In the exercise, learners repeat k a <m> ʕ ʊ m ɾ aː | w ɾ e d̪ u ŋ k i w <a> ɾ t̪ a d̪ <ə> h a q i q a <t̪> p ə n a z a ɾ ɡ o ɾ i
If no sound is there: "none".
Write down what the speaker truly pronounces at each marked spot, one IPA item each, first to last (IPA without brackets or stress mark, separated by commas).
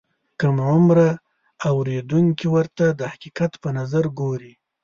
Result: m, ə, ə, t̪